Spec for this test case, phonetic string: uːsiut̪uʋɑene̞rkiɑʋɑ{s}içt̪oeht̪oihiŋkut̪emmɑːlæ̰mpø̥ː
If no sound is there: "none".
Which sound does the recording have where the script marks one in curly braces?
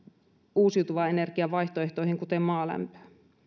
none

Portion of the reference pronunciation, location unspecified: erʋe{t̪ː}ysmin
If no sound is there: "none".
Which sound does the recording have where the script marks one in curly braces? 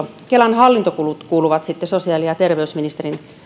none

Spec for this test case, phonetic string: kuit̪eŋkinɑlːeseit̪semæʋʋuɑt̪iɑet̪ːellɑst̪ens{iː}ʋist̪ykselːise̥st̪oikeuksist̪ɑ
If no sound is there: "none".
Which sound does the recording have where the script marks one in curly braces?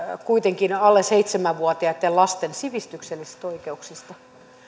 i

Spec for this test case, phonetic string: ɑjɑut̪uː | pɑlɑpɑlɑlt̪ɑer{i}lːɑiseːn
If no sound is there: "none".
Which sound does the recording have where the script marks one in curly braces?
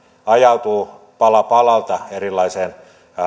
i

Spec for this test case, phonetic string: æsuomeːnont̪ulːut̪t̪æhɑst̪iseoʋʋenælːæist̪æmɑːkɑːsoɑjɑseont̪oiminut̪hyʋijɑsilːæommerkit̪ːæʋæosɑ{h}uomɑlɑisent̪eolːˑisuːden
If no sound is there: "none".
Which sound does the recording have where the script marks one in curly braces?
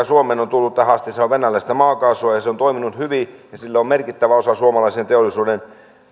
s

